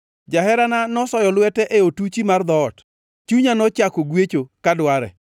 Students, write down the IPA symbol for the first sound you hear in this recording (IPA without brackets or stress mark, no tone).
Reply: d͡ʒ